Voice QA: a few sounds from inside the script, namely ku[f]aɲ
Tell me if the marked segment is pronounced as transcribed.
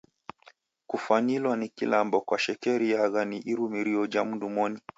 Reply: yes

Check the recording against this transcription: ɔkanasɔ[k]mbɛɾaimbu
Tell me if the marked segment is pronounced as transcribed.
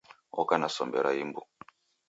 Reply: no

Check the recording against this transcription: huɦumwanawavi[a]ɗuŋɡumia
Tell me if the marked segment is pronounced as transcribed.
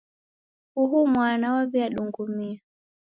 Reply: yes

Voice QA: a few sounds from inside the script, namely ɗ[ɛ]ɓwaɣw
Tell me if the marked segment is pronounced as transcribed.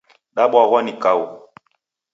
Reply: no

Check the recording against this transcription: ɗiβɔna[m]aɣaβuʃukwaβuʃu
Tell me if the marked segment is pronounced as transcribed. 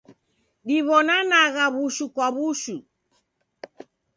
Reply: no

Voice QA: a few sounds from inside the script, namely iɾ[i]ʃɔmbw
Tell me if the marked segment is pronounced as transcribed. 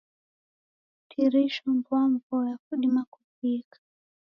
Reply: yes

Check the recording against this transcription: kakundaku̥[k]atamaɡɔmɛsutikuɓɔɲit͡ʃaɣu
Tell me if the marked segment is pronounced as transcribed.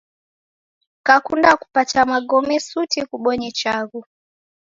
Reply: no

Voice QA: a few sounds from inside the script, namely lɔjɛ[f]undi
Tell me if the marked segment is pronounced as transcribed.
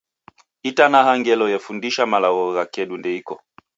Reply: yes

